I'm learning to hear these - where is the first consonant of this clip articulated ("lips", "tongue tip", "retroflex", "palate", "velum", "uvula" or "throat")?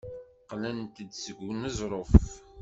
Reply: uvula